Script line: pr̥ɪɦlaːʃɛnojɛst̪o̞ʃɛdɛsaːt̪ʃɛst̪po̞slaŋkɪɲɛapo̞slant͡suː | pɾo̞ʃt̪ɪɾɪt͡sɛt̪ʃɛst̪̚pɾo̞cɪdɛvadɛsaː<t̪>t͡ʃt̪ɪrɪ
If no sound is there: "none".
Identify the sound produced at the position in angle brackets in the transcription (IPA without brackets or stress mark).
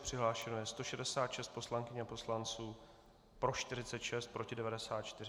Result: t̪